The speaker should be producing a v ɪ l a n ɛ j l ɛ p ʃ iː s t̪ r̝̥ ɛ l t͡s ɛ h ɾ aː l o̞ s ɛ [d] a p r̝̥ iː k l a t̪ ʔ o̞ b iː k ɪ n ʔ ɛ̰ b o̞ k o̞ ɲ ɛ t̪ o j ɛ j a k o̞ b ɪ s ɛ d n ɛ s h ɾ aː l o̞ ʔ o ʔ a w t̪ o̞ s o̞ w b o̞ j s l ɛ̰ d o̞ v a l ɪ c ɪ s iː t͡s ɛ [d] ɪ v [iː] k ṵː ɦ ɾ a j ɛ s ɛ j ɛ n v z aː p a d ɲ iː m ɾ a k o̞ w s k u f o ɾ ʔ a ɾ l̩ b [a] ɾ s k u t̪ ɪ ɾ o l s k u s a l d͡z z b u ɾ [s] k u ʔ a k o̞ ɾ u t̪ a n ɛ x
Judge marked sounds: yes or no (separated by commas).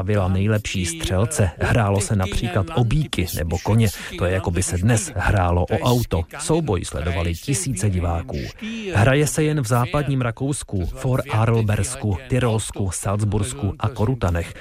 no, no, no, no, yes